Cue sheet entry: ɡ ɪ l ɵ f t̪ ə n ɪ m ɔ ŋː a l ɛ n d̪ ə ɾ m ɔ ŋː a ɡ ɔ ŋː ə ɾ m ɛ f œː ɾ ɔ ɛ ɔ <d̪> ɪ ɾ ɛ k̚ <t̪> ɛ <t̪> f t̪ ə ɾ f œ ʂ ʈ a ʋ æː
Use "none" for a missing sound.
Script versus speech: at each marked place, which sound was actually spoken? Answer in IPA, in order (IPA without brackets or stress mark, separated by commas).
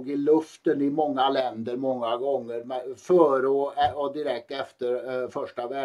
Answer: d̪, t̪, none